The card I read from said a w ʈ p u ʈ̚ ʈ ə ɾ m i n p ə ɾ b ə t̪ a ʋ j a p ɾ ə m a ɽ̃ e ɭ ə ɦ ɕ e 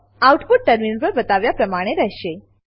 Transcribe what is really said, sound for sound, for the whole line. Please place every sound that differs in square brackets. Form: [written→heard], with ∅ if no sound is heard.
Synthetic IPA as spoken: a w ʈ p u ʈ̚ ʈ ə ɾ m i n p ə ɾ b ə t̪ a ʋ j a p ɾ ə m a ɽ̃ e [ɭ→ɾ] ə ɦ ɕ e